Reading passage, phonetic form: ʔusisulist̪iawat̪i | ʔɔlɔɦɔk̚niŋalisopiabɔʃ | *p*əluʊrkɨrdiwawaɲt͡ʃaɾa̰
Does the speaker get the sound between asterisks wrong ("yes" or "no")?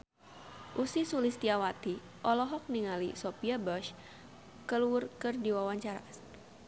yes